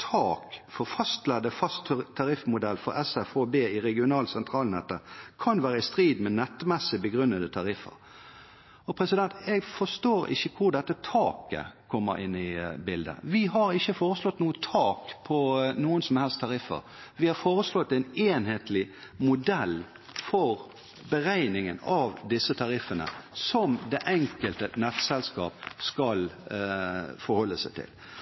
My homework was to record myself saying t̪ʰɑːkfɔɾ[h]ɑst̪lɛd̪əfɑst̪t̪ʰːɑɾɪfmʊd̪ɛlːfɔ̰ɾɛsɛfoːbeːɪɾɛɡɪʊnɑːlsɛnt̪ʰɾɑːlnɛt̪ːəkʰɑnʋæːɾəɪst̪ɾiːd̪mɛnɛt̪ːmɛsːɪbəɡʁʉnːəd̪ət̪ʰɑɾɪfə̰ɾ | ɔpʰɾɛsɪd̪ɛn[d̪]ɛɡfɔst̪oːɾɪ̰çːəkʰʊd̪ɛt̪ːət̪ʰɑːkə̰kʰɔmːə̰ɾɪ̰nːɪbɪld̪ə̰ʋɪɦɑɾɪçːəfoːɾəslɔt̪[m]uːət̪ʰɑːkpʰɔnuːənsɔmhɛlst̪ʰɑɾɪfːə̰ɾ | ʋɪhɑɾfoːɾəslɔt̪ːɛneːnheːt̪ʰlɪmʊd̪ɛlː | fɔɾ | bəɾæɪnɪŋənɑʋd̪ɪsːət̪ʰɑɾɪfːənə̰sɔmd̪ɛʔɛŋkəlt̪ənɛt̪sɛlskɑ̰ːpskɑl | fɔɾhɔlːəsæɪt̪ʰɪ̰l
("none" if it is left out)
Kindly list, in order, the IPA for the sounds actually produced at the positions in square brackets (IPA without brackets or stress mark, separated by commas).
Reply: f, t̪, n